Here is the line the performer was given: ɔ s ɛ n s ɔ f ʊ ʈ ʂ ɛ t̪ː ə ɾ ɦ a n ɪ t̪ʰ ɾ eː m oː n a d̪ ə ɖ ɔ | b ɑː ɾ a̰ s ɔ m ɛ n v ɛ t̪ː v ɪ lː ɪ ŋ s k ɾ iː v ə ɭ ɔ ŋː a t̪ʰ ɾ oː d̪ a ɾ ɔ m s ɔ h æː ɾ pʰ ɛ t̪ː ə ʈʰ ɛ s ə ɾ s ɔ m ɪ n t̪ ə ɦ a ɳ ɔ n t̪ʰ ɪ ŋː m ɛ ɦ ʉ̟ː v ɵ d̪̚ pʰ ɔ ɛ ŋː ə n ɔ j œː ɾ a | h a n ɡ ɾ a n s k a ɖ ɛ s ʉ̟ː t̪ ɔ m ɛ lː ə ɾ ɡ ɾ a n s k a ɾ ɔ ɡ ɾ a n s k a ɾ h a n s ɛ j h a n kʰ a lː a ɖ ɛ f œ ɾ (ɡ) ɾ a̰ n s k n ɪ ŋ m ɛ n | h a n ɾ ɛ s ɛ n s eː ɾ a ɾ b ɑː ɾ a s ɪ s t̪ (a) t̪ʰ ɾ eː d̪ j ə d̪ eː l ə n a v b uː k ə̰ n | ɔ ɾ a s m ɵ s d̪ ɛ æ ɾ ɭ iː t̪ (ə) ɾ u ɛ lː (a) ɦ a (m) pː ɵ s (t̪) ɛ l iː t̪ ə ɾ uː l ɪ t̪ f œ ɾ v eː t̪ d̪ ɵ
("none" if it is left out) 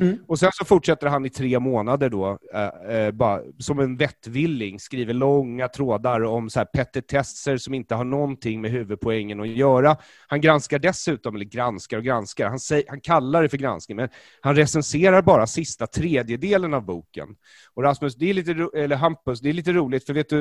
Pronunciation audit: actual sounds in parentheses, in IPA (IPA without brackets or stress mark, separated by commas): ɡ, a, ə, ə, m, d̪